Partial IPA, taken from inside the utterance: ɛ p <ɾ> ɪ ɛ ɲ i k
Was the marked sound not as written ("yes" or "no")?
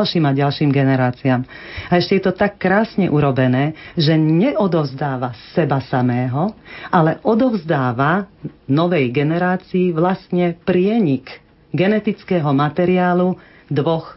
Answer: no